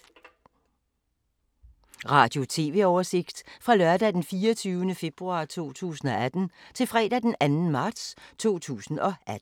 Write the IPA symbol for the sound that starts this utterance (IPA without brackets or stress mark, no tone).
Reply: ʁ